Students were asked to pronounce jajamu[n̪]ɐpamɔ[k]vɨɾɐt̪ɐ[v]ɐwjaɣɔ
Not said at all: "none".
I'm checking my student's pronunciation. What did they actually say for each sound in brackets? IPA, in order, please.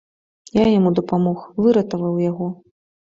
d̪, x, v

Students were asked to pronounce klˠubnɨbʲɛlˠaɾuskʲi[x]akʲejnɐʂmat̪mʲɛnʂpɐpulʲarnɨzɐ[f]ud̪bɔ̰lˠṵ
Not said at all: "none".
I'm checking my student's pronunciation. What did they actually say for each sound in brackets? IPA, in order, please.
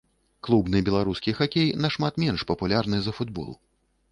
x, f

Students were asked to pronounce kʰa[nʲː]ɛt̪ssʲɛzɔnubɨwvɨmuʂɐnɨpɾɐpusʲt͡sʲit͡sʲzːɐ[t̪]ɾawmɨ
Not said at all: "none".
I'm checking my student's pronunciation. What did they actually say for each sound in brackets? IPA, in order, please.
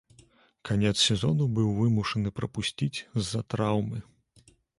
nʲ, t̪

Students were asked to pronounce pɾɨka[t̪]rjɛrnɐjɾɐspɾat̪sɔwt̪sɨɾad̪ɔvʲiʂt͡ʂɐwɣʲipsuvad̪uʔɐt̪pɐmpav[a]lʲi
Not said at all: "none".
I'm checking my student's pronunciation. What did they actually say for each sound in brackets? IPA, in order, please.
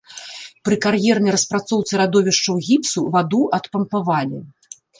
none, a

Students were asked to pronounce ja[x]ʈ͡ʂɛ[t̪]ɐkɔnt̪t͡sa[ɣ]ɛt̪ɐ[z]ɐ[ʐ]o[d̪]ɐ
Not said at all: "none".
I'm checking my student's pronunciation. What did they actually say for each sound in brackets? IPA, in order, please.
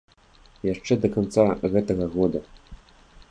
ʂ, d̪, ɣ, ɣ, ɣ, d̪

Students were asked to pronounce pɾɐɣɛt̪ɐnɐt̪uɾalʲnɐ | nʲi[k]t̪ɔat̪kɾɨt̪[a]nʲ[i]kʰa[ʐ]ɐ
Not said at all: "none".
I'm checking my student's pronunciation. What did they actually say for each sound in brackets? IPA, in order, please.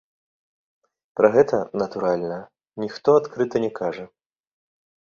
x, ɐ, ɛ, ʐ

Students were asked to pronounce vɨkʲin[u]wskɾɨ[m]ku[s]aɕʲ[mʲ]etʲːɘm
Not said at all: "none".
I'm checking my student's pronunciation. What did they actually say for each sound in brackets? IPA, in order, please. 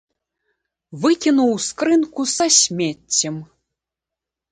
u, n, s, mʲ

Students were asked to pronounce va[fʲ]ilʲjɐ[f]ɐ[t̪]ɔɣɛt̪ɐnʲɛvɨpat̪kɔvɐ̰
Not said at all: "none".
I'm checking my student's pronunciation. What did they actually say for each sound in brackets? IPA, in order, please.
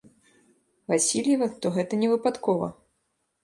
sʲ, v, t̪

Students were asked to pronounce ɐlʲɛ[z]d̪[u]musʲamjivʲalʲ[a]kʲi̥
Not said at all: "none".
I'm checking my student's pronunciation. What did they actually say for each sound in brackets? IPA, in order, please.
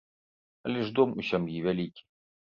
ʐ, ɔ, i

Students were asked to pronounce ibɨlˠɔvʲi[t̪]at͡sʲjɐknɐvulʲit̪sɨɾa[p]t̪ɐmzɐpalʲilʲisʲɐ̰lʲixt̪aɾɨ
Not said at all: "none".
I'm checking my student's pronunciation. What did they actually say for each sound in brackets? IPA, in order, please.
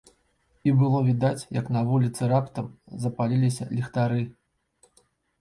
d̪, p

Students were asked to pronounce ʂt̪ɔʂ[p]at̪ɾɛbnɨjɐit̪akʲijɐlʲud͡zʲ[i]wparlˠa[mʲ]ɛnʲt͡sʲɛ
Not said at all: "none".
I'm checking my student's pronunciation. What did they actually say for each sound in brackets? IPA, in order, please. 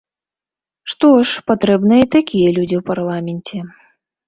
p, i, mʲ

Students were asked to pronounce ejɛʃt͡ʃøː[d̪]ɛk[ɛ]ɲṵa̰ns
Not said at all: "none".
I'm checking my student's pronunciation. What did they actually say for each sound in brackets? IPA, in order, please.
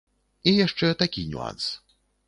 t̪, i

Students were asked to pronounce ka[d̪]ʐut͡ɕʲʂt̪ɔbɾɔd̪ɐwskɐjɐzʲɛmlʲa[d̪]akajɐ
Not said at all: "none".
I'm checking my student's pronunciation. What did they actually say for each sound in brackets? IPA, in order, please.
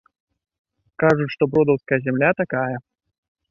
none, t̪

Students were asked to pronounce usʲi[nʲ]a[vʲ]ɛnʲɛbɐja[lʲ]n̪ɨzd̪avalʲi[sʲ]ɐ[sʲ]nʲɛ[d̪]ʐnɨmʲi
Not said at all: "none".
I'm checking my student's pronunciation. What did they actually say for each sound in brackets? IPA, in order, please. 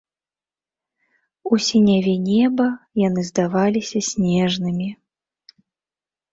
nʲ, vʲ, none, sʲ, sʲ, none

